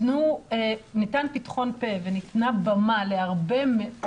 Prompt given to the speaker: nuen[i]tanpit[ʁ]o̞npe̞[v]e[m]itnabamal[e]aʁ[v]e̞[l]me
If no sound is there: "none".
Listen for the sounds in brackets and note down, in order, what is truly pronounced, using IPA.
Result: i, χ, v, n, e, b, none

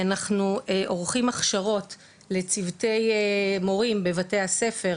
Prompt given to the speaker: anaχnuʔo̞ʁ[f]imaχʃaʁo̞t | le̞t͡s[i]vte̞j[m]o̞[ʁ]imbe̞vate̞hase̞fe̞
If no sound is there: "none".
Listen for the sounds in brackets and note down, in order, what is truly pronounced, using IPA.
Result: χ, i, m, ʁ

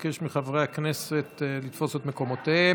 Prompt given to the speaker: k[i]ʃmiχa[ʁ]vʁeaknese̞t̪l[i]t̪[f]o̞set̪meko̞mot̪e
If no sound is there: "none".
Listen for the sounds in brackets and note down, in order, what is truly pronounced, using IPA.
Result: e, none, i, f

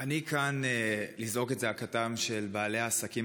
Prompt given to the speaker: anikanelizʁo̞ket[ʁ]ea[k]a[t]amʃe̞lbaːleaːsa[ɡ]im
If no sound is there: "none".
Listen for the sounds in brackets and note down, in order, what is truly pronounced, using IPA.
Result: z, k, t, k

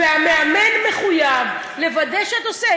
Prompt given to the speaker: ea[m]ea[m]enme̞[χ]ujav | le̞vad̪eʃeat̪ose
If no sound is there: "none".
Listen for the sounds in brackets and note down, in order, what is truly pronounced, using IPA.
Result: m, m, χ

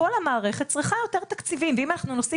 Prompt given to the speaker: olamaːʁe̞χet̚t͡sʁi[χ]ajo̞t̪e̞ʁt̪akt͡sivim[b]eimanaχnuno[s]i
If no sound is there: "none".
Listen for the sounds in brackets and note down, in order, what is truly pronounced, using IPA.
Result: χ, v, s

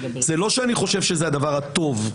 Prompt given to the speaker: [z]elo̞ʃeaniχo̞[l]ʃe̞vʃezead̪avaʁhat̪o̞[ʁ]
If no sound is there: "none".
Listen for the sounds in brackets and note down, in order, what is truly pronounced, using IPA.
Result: z, none, v

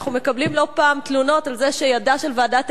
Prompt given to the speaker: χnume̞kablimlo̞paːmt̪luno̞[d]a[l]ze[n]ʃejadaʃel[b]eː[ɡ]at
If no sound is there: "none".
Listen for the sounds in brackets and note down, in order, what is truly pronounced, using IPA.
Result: t, l, none, v, d

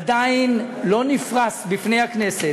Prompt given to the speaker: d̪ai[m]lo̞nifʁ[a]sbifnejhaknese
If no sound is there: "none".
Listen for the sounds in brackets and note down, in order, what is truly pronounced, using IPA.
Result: n, a

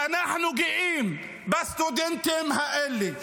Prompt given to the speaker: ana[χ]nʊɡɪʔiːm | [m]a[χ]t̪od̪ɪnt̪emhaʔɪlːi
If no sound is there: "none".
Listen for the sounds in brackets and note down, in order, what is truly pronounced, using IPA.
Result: ħ, b, s

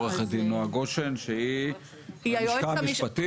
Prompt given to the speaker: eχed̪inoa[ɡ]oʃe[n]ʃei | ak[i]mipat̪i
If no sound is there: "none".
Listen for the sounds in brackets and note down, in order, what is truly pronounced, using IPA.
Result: ɡ, n, a

